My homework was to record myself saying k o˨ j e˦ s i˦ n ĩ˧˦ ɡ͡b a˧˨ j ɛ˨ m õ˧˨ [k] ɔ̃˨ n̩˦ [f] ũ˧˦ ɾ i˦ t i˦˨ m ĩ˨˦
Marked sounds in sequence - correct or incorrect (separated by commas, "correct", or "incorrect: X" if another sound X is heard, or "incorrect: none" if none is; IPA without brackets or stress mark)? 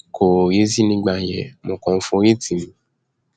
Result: correct, correct